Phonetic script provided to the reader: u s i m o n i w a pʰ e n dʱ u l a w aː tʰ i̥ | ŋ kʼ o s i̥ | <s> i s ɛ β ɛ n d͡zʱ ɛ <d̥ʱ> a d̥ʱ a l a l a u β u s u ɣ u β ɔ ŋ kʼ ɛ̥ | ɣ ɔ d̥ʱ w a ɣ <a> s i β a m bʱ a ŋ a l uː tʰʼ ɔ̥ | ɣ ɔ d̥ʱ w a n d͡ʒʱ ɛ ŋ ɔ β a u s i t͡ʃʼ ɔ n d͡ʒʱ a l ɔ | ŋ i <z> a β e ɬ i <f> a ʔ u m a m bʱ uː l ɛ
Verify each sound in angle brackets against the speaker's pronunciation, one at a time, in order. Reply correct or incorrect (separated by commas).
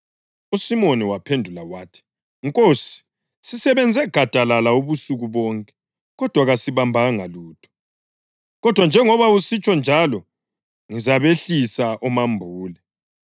correct, incorrect, correct, correct, incorrect